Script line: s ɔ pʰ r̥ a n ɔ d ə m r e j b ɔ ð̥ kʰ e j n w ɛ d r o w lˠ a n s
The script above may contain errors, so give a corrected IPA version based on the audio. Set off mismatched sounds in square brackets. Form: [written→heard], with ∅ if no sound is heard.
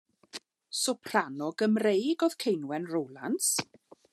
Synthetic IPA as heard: s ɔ pʰ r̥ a n ɔ [d→ɡ] ə m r e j [b→ɡ] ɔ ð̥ kʰ e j n w ɛ [d→n] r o w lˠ a n s